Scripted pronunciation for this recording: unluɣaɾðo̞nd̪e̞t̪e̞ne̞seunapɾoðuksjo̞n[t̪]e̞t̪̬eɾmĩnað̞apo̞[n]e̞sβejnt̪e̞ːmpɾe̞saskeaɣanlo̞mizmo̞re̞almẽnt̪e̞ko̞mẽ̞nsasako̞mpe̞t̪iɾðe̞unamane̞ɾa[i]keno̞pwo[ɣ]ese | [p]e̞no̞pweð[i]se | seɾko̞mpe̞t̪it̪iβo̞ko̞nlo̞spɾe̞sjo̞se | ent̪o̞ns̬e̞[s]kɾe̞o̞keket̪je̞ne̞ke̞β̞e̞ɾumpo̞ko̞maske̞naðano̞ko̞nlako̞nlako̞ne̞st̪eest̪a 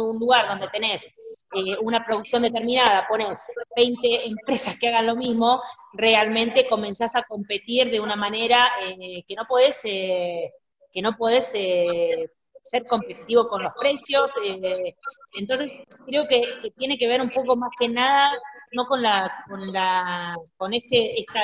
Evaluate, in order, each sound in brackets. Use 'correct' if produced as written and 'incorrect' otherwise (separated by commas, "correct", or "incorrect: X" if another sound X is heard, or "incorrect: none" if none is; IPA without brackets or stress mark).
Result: incorrect: d̪, correct, incorrect: e, incorrect: ð, incorrect: k, incorrect: e, correct